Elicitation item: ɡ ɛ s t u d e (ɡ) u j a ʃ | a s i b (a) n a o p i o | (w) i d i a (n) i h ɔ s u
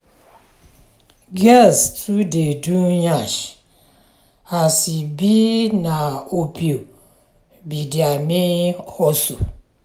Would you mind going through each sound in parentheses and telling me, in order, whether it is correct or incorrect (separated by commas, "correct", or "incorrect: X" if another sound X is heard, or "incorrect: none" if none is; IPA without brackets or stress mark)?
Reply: incorrect: d, incorrect: i, incorrect: b, incorrect: m